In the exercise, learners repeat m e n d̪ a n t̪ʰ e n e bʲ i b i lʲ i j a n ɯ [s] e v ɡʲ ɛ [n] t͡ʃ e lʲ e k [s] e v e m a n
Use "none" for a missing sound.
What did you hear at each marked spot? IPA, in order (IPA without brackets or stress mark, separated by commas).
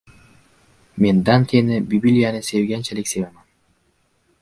s, n, s